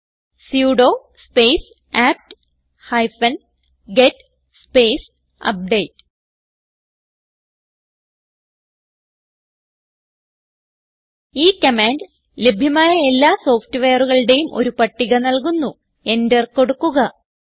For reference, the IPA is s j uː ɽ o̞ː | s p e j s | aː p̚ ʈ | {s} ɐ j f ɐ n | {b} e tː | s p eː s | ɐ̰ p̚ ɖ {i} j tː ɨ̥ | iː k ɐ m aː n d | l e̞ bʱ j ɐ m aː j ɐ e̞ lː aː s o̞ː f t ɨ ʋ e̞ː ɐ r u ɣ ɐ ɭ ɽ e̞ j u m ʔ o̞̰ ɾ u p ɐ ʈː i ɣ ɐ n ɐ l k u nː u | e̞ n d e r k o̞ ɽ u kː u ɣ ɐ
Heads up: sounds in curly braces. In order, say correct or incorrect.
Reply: incorrect, incorrect, incorrect

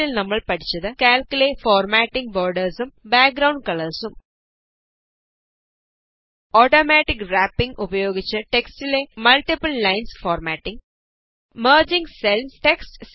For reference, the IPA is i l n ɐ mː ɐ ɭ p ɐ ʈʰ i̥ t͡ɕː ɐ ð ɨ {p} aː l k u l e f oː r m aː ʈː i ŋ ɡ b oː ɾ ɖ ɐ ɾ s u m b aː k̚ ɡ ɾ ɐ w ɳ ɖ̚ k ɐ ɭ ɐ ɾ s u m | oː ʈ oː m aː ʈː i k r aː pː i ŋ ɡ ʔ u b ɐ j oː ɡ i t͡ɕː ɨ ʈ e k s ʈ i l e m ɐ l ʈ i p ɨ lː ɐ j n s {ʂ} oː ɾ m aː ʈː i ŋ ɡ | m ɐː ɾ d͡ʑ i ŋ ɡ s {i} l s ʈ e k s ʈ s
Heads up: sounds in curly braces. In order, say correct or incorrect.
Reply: incorrect, incorrect, incorrect

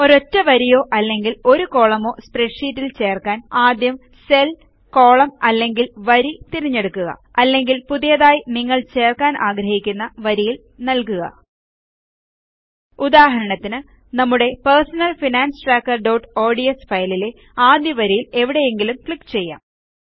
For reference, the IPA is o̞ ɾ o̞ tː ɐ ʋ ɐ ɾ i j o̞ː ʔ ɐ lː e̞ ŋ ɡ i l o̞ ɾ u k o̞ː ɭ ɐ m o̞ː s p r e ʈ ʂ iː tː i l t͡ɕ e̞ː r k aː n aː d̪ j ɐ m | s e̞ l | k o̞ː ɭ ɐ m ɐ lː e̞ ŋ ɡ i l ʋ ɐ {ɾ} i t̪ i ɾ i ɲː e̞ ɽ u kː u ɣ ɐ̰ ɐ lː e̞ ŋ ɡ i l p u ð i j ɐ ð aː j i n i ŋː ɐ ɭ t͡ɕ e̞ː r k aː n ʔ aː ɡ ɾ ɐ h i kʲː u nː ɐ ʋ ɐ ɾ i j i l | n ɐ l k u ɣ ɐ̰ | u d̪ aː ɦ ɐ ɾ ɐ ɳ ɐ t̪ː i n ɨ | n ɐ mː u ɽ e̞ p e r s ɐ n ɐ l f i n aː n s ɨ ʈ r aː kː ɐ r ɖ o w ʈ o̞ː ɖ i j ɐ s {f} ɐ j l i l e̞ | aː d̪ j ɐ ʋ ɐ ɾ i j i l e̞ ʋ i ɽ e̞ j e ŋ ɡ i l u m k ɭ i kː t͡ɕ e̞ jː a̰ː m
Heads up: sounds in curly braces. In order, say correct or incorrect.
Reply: correct, correct

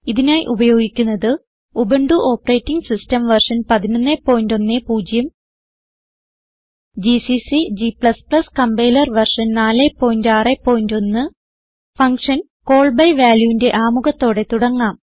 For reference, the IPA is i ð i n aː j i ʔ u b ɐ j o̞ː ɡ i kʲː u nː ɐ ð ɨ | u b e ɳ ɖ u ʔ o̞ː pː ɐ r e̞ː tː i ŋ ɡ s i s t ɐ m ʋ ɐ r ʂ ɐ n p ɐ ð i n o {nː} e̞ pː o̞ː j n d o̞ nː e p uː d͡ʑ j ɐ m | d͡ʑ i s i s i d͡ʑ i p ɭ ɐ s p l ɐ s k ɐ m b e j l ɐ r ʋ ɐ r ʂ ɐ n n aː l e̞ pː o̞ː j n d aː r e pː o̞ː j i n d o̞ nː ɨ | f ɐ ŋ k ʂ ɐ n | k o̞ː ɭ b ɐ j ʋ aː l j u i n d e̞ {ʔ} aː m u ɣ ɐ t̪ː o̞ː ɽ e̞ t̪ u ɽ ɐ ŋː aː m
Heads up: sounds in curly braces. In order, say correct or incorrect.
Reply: correct, correct

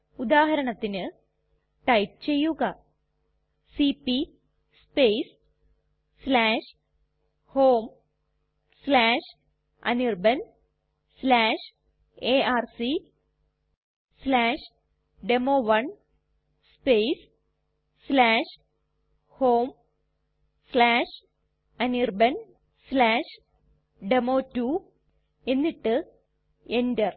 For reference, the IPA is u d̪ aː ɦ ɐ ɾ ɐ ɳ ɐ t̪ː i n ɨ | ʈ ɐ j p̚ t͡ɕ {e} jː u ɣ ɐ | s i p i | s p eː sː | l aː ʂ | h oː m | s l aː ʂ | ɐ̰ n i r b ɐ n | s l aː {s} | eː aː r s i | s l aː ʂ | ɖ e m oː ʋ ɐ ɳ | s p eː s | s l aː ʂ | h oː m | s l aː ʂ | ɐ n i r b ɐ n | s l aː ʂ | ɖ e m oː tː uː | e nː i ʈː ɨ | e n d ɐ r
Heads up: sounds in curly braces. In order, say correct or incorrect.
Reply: correct, incorrect

